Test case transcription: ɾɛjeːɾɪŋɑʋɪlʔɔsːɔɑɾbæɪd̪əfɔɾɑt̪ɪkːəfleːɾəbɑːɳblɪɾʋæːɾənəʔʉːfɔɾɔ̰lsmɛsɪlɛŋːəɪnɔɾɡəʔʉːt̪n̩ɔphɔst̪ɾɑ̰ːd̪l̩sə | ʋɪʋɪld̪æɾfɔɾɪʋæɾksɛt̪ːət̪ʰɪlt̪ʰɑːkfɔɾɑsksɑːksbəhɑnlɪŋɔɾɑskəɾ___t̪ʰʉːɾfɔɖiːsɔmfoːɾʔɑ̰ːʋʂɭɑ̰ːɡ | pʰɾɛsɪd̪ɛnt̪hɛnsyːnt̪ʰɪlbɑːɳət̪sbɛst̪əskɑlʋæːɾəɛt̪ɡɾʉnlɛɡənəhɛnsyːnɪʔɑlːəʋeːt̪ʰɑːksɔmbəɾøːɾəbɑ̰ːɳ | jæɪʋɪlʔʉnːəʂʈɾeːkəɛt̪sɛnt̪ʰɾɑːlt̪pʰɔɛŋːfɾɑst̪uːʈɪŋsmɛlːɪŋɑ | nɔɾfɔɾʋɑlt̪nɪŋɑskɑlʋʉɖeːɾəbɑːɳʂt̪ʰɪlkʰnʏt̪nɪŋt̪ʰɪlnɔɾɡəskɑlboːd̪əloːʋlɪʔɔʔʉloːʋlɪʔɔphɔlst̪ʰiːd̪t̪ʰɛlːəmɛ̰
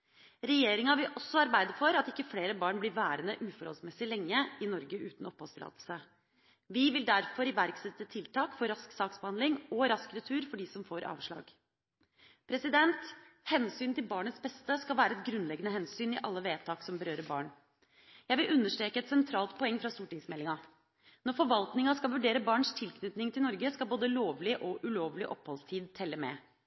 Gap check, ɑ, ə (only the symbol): ə